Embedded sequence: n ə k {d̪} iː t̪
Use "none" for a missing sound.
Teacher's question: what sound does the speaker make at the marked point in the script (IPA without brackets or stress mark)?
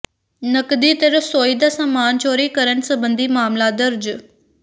d̪